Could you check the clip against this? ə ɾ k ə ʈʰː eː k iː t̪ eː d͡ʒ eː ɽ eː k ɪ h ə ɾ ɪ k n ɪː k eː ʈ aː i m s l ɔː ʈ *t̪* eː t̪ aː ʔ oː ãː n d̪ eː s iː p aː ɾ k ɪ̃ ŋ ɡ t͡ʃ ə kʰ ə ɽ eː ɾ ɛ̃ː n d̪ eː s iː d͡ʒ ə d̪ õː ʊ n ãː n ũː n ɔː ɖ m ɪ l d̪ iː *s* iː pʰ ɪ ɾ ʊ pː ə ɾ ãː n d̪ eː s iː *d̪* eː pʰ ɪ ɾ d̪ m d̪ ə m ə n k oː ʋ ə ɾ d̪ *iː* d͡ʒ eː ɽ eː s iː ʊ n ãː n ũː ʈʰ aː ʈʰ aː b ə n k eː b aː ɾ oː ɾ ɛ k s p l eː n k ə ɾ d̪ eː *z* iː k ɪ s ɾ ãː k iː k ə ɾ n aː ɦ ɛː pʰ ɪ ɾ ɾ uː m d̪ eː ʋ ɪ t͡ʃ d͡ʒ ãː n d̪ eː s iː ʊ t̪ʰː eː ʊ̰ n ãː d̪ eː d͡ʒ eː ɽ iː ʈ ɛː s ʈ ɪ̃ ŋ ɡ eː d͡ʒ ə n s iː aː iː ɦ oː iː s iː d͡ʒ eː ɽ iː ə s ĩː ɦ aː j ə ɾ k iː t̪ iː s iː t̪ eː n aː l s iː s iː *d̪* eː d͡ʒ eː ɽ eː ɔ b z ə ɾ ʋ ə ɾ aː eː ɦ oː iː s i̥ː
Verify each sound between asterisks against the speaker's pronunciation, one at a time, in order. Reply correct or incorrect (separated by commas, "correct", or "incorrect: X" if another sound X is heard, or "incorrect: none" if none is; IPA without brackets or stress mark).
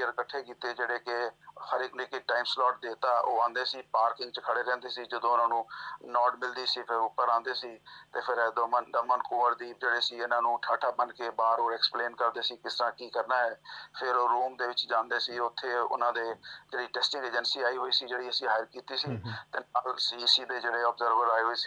incorrect: d̪, correct, incorrect: t̪, correct, incorrect: s, correct